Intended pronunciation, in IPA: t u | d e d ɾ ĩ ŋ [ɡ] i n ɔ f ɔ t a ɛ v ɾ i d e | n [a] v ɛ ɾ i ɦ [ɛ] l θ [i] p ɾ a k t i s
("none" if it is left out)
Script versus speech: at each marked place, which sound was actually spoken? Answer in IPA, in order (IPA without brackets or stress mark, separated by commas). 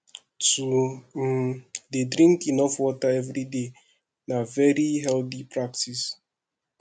k, a, ɛ, i